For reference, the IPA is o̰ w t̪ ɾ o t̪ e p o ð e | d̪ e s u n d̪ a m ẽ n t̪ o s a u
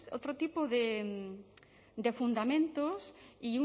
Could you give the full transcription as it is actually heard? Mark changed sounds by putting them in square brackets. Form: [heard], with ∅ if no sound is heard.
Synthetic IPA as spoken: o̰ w t̪ ɾ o t̪ [i] p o ð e | d̪ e [f] u n d̪ a m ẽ n t̪ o s [i] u